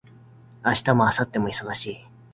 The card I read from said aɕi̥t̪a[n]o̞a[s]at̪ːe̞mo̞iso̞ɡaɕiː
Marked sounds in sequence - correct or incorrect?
incorrect, correct

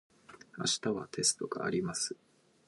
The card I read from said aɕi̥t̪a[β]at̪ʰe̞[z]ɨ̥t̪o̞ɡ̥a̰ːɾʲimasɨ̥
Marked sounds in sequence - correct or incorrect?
correct, incorrect

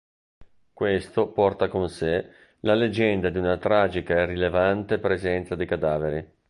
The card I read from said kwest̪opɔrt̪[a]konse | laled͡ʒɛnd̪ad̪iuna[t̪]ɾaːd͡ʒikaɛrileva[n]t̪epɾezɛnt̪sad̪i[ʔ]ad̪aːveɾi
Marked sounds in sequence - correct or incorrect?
correct, correct, correct, incorrect

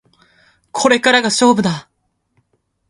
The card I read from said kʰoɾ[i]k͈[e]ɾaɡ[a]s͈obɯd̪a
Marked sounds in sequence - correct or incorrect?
incorrect, incorrect, correct

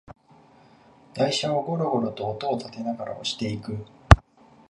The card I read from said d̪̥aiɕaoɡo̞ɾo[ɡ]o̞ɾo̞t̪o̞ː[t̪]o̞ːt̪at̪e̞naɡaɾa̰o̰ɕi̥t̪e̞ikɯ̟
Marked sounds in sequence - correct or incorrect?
correct, correct

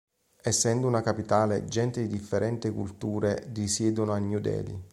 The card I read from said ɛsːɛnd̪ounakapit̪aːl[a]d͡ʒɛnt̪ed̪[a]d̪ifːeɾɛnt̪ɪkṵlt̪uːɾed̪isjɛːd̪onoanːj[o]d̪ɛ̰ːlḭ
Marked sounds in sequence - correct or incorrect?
incorrect, incorrect, incorrect

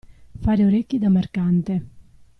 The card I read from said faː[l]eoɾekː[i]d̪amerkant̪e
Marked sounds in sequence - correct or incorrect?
incorrect, correct

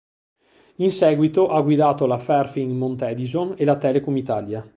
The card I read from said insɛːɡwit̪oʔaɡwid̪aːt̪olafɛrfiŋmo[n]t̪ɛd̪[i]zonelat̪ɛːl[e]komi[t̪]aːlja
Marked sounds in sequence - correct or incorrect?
correct, correct, correct, correct

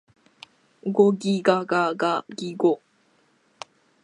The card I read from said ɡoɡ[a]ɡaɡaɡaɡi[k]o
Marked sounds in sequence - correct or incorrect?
incorrect, incorrect

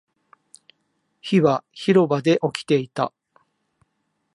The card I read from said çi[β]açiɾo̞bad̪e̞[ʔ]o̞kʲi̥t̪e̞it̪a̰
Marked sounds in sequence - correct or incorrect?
correct, correct

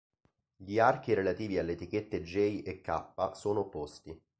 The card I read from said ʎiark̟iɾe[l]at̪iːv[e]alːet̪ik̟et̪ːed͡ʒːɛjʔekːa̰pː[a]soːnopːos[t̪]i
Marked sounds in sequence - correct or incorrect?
correct, incorrect, correct, correct

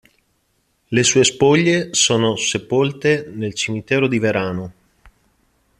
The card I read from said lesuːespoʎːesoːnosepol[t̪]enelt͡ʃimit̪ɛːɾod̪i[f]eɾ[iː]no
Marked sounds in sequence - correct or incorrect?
correct, incorrect, incorrect

